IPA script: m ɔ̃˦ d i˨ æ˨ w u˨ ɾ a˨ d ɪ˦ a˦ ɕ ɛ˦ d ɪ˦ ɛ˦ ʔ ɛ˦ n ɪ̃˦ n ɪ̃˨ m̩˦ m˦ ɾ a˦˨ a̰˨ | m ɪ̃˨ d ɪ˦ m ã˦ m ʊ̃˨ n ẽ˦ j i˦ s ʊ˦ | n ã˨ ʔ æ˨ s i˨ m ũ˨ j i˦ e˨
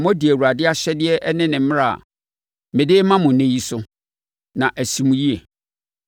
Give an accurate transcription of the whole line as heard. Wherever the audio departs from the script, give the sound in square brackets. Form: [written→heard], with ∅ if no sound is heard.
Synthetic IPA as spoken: m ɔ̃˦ d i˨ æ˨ w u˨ ɾ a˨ d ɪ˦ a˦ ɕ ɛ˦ d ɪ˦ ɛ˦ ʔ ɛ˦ n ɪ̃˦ n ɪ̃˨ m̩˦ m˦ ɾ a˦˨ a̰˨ | m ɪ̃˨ d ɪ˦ m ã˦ m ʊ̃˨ n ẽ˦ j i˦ s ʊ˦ | n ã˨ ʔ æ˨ s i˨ m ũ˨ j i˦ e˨